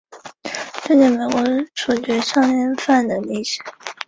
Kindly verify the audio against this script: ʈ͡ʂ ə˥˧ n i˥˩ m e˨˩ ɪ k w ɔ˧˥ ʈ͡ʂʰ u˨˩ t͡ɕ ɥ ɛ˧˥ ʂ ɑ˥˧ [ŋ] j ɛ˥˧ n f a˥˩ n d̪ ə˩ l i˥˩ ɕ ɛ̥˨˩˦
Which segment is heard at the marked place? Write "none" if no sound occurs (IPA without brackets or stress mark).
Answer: ŋ